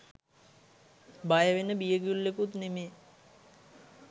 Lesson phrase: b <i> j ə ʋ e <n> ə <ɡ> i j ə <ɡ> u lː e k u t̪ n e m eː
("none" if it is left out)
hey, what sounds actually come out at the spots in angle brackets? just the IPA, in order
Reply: a, n, b, ɡ

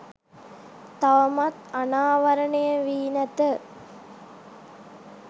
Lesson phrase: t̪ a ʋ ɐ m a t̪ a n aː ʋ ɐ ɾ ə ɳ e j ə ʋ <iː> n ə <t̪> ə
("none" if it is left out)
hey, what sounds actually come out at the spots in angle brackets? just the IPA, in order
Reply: iː, t̪

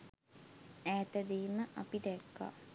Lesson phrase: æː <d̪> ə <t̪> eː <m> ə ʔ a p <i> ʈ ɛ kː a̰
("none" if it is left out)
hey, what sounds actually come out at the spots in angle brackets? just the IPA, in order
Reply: t̪, d̪, m, i

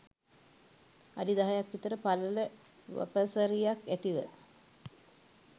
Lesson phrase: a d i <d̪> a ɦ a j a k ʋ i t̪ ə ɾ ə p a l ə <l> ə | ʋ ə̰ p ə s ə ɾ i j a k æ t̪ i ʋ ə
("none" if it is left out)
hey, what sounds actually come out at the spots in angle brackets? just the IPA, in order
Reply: d̪, l

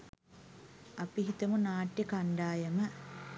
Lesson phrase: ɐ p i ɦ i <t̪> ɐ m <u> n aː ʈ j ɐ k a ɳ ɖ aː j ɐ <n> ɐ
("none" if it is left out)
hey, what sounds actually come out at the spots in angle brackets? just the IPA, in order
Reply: t̪, u, m

